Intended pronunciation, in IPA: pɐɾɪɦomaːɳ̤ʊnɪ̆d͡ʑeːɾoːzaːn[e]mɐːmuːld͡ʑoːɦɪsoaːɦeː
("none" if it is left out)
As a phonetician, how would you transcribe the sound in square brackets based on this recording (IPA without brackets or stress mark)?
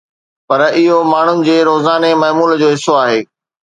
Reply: e